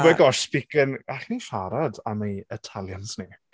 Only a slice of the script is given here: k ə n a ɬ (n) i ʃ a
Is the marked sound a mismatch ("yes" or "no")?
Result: no